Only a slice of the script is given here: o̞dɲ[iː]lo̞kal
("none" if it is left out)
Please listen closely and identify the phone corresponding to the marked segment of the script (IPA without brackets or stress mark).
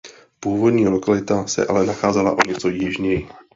iː